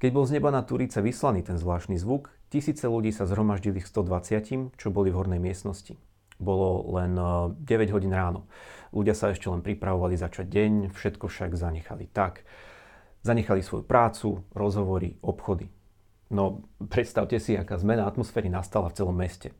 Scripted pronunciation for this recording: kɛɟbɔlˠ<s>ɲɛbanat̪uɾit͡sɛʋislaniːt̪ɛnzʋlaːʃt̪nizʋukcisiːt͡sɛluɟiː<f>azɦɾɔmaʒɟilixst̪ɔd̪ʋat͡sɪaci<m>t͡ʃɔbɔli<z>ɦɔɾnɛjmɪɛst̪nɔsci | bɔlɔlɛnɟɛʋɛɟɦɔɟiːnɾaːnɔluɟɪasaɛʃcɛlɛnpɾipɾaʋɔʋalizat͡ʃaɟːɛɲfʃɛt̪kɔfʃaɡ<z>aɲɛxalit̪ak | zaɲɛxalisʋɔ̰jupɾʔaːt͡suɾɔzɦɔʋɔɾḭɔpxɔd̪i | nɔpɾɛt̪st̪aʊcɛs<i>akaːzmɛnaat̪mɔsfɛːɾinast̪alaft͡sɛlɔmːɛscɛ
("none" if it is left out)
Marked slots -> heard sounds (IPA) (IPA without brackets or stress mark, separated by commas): z, s, m, v, z, i